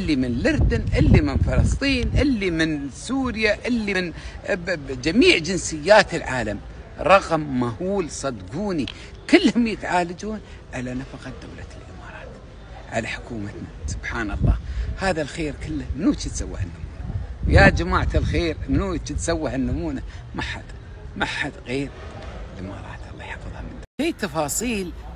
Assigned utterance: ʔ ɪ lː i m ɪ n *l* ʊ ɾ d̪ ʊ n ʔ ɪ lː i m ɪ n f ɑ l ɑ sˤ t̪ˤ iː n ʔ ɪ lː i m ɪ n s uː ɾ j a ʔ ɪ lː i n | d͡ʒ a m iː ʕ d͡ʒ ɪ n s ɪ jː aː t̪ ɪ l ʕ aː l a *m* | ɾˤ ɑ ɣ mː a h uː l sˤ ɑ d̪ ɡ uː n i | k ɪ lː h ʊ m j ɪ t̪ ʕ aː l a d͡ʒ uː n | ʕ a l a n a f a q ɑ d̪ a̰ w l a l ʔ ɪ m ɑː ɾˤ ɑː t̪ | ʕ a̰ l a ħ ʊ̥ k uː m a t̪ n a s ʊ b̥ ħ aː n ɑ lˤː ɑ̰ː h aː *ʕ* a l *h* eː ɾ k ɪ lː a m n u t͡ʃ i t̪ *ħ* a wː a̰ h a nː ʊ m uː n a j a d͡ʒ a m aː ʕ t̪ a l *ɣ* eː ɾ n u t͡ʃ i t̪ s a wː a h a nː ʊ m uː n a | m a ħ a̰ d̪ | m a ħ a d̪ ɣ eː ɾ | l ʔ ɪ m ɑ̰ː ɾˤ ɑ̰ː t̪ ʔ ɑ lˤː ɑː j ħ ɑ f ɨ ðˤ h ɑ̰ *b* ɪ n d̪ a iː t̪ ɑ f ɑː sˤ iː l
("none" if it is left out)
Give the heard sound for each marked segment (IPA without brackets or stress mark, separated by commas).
l, m, ð, x, s, x, m